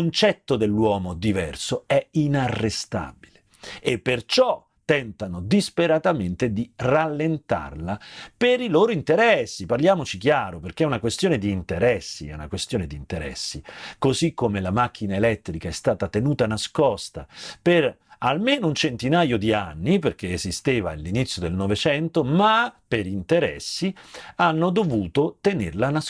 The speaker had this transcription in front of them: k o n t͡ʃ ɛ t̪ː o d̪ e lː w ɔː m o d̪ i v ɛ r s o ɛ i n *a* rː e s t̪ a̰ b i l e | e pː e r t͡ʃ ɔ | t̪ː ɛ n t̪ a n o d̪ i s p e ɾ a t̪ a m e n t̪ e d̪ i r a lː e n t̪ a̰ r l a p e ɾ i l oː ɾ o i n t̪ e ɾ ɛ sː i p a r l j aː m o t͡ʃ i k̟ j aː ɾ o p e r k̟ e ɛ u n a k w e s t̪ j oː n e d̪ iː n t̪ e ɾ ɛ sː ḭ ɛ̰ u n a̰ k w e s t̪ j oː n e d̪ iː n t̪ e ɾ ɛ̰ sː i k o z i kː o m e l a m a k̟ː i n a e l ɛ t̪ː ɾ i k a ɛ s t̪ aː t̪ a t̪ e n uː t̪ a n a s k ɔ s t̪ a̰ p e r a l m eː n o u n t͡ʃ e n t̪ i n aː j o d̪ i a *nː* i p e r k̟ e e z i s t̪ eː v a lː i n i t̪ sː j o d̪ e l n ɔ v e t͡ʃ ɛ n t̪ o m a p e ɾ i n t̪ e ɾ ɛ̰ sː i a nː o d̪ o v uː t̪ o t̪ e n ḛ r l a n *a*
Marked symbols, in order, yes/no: yes, yes, yes

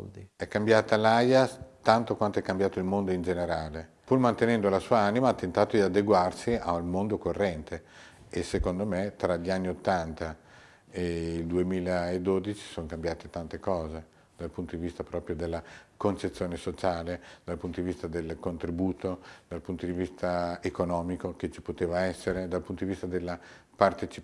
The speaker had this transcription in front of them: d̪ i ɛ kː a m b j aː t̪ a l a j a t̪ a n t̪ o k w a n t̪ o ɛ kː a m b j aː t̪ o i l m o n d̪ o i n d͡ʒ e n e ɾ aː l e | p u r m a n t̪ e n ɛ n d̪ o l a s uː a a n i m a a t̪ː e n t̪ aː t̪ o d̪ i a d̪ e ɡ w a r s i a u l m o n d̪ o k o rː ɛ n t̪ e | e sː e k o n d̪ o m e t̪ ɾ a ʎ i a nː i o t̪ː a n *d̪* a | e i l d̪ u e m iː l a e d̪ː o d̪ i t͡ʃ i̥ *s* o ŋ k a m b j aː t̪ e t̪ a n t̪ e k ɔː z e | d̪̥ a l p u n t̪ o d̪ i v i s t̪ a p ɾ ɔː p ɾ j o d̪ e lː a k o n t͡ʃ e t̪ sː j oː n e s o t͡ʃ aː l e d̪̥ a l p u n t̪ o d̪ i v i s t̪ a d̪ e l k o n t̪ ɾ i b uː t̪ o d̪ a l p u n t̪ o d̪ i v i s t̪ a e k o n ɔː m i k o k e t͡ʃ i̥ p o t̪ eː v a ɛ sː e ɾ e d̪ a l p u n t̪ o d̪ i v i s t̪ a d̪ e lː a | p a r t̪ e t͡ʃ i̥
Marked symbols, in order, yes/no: no, yes

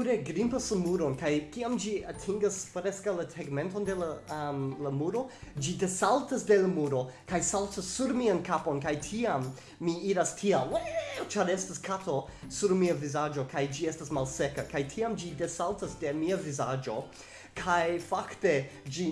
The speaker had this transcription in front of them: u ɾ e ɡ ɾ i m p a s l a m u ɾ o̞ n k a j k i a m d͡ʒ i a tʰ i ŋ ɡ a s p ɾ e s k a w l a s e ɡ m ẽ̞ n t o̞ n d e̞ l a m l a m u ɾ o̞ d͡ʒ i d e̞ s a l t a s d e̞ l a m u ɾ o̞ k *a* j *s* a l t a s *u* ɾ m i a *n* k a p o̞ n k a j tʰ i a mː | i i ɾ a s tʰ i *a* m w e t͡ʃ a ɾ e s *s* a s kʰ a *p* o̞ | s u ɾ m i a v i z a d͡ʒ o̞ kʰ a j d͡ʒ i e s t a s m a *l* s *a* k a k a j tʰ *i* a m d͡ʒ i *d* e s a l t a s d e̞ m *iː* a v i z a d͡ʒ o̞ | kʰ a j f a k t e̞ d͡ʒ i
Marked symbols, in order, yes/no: yes, yes, yes, yes, yes, no, no, yes, no, yes, yes, no

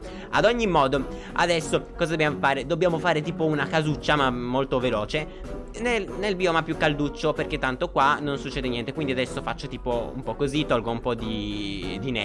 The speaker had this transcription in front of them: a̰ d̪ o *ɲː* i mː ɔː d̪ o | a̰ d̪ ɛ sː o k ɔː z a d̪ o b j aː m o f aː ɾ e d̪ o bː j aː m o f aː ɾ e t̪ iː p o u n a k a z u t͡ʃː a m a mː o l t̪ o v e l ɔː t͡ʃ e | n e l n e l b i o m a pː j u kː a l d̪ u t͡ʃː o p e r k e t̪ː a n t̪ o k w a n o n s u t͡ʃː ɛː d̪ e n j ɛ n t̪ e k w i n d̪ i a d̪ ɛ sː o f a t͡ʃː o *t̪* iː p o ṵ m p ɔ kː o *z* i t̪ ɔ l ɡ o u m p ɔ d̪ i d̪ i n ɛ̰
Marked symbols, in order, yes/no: yes, yes, yes

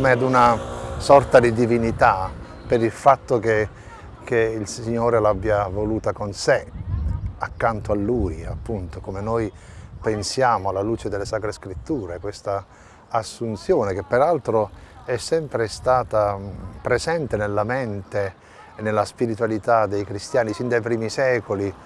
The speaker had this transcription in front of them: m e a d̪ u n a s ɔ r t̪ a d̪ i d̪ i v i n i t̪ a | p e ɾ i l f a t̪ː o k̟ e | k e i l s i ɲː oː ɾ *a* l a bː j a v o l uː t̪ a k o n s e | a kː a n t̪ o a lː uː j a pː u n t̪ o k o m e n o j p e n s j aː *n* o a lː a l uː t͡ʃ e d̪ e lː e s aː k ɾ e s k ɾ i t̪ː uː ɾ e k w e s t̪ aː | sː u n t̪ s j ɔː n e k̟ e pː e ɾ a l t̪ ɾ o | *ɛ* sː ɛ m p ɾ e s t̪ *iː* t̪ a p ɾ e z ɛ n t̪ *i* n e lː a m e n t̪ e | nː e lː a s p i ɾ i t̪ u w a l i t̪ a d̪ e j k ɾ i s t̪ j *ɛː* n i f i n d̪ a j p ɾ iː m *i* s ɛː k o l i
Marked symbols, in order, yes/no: no, no, yes, no, no, no, yes

